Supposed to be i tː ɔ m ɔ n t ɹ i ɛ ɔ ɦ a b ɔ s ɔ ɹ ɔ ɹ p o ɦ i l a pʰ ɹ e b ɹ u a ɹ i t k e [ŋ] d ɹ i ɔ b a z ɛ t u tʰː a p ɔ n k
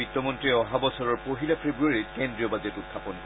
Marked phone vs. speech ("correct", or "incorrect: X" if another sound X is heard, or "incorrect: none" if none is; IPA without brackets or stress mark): incorrect: n